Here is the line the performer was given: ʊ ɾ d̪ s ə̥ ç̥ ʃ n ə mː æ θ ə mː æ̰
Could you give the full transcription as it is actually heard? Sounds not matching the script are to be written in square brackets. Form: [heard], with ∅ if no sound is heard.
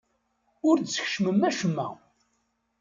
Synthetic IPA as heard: ʊ ɾ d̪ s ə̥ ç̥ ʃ [m] ə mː æ [ʃ] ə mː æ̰